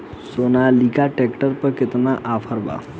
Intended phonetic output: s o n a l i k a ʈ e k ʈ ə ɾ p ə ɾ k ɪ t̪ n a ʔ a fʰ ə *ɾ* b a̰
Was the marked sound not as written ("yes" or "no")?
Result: no